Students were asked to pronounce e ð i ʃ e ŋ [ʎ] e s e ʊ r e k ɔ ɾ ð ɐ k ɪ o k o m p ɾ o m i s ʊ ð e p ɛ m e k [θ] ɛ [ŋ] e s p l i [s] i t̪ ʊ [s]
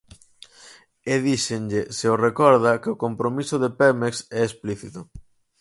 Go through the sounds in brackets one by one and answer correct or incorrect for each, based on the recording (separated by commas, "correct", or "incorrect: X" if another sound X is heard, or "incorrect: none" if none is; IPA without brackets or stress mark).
correct, incorrect: s, incorrect: none, incorrect: θ, incorrect: none